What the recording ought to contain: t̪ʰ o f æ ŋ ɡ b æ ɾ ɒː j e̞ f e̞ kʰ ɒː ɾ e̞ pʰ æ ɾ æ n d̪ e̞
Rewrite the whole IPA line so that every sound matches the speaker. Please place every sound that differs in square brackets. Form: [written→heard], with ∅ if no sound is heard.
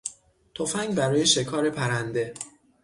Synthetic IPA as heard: t̪ʰ o f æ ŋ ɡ b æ ɾ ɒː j e̞ [f→ʃ] e̞ kʰ ɒː ɾ e̞ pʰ æ ɾ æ n d̪ e̞

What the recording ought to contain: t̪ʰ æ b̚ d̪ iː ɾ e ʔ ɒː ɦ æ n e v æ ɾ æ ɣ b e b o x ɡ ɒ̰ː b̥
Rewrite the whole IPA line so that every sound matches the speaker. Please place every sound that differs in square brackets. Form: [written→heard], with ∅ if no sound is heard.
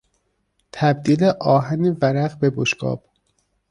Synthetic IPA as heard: t̪ʰ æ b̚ d̪ iː [ɾ→l] e ʔ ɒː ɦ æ n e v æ ɾ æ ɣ b e b o [x→ʃ] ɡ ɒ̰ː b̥

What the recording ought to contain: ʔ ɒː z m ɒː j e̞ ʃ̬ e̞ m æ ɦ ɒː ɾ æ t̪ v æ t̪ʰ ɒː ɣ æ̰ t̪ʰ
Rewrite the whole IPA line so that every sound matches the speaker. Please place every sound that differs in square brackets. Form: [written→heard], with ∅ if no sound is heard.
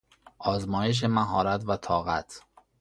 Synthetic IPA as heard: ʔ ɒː z m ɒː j e̞ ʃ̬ e̞ m æ ɦ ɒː ɾ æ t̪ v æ t̪ʰ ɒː ɣ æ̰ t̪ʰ

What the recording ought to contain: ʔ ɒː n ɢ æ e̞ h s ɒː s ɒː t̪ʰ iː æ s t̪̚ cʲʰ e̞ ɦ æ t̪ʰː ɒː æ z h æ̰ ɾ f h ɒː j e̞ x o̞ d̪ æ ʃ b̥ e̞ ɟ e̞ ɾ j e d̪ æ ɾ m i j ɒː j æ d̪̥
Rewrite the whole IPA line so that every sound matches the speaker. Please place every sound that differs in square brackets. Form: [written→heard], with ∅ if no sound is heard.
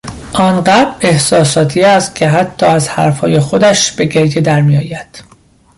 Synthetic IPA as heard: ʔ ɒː n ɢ æ e̞ h s ɒː s ɒː t̪ʰ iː æ s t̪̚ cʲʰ e̞ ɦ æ t̪ʰː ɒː æ z h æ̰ ɾ f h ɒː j e̞ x o̞ d̪ æ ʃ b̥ e̞ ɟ e̞ ɾ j e d̪ æ ɾ m i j ɒː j æ d̪̥

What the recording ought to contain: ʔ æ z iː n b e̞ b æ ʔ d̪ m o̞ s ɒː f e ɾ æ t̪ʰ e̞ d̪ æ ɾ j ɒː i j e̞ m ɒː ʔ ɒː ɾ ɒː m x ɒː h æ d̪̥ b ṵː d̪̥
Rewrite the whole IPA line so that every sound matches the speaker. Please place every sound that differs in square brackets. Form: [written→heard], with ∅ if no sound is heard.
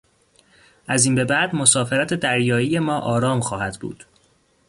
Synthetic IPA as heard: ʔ æ z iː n b e̞ b æ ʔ d̪ m o̞ s ɒː f e ɾ æ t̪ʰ e̞ d̪ æ ɾ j ɒː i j e̞ m ɒː ʔ ɒː ɾ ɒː m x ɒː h æ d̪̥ b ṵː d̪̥

